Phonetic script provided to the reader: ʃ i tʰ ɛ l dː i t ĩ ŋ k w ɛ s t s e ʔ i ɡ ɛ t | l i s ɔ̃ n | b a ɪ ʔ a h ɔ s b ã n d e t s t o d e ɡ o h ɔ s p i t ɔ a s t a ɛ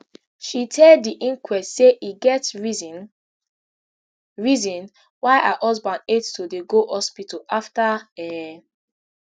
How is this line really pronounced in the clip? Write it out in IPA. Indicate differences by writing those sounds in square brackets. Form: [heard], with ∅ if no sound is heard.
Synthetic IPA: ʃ i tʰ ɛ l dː i [ʔ] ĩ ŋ k w ɛ s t s e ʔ i ɡ ɛ t | [ɹ] i [z] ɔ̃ n | [w] a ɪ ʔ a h ɔ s b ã n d e t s t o d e ɡ o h ɔ s p i t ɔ a [f] t a ɛ